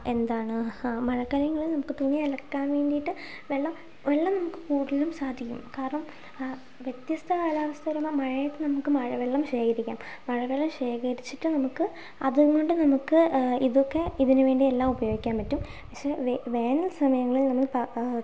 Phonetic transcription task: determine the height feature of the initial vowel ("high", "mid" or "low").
mid